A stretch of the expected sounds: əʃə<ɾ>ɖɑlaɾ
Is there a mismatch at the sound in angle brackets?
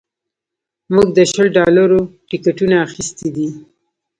yes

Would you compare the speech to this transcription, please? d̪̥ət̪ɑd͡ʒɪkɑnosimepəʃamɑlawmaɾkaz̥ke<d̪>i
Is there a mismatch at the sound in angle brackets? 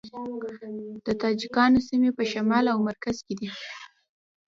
no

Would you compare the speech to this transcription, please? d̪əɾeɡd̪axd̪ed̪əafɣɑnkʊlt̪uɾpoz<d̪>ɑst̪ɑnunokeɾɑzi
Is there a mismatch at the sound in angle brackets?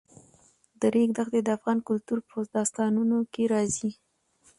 no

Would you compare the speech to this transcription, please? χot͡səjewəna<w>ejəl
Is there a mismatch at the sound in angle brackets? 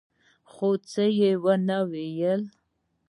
no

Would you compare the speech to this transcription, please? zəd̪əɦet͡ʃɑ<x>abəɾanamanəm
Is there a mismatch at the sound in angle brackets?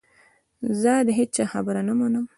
no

